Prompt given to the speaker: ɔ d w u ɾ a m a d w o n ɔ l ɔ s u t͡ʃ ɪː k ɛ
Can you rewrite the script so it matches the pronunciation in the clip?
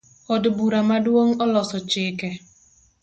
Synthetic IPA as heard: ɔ d b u ɾ a m a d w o ŋ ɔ l ɔ s ɔ t͡ʃ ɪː k ɛ